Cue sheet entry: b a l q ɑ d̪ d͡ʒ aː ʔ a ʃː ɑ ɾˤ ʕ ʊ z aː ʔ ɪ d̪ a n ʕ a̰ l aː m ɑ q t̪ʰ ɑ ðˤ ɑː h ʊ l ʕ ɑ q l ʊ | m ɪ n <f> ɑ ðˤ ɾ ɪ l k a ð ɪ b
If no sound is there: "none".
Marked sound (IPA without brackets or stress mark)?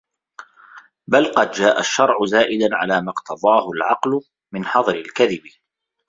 ħ